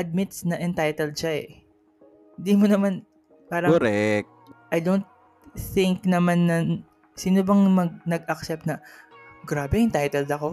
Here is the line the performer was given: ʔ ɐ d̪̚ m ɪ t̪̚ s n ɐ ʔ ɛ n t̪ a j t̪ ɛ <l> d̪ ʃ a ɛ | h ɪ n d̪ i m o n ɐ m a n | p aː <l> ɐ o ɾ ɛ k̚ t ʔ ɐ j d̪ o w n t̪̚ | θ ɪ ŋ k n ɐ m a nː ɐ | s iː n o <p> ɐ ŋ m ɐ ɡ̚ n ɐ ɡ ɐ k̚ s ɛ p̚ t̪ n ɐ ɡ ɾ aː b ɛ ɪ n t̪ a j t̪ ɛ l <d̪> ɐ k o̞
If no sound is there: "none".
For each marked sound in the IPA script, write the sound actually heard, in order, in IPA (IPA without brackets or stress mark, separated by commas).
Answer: l, ɾ, b, d̪